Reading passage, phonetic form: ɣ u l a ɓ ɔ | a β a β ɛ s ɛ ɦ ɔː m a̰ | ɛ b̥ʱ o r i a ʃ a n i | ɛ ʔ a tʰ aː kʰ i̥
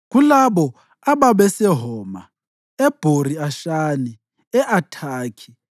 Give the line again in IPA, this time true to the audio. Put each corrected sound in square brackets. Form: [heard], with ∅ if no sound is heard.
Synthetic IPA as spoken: ɣ u l a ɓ ɔ | a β a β ɛ s ɛ ɦ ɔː m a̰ | ɛ b̥ʱ o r i a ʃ a n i | ɛ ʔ a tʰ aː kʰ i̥